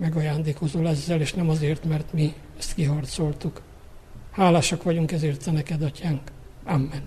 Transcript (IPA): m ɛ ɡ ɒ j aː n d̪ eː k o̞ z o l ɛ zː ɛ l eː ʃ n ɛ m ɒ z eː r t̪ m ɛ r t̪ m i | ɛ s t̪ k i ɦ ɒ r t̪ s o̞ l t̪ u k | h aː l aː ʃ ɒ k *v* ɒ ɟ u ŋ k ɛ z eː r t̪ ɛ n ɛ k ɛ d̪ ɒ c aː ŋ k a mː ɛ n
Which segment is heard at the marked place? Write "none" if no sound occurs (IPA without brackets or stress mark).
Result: ʋ